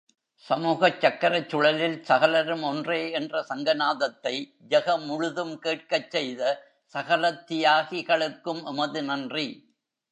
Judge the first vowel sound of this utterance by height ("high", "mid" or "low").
low